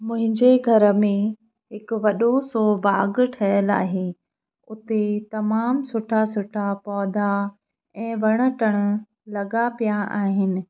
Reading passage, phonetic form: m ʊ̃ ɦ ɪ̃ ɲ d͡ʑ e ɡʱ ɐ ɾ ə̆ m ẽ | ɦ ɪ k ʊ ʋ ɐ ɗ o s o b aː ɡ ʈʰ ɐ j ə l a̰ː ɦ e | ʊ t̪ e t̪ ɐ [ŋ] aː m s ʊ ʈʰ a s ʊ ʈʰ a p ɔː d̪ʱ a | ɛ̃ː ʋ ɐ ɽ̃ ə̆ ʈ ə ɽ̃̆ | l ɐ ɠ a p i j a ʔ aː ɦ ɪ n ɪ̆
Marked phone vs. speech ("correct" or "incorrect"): incorrect